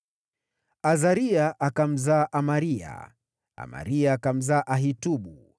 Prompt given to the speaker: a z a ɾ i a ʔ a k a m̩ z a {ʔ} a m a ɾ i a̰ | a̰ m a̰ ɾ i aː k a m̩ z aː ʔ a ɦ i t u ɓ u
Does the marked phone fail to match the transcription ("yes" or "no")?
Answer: no